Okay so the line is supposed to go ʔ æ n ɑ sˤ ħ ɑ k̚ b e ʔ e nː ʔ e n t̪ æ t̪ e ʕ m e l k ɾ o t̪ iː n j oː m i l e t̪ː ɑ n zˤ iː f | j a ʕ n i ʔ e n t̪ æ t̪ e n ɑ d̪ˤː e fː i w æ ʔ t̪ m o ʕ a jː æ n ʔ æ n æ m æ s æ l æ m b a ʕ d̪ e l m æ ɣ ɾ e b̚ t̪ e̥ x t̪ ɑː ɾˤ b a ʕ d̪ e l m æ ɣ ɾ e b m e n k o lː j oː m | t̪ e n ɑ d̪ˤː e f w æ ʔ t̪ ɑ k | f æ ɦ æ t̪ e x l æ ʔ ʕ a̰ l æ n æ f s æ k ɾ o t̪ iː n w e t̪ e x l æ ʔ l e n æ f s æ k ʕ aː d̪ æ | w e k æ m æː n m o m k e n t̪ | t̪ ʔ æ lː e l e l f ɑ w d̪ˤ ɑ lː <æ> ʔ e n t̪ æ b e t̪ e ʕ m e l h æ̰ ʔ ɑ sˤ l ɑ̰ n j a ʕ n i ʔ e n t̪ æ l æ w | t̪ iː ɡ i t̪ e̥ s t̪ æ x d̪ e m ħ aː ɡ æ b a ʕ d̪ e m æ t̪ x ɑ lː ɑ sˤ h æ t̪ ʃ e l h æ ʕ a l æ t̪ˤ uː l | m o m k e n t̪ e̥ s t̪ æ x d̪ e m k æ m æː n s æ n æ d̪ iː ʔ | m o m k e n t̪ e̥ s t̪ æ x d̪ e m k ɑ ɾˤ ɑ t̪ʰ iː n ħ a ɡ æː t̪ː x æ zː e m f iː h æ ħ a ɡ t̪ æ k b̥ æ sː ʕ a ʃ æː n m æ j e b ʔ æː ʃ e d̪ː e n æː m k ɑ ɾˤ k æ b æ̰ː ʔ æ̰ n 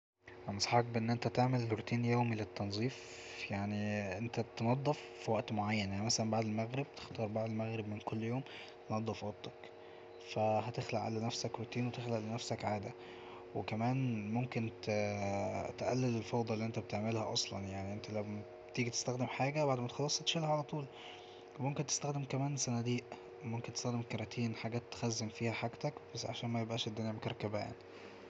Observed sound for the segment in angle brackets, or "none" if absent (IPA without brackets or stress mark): i